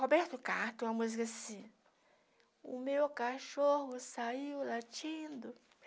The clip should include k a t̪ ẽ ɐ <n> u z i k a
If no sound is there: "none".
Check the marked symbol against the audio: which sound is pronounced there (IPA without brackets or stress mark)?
m